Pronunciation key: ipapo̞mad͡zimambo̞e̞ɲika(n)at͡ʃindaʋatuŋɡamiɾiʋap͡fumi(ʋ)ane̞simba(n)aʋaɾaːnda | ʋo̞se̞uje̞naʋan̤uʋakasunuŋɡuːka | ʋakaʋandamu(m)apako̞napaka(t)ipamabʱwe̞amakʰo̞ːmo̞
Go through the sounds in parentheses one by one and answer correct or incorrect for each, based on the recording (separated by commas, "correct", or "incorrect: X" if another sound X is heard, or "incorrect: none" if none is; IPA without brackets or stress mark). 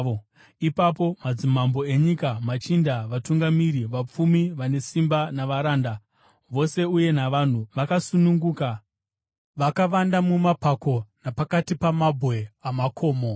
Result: incorrect: m, correct, correct, correct, correct